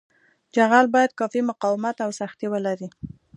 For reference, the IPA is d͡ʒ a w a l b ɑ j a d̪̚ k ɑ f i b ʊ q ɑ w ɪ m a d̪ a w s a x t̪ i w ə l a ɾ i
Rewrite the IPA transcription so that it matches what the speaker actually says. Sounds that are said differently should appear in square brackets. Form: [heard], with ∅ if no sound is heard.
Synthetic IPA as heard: d͡ʒ a [ɣ] a l b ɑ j a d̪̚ k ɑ f i [m] ʊ q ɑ w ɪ m a [t̪] a w s a x t̪ i w ə l a ɾ i